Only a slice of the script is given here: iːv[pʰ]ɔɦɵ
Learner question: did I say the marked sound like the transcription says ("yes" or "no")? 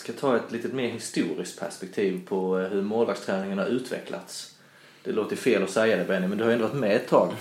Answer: yes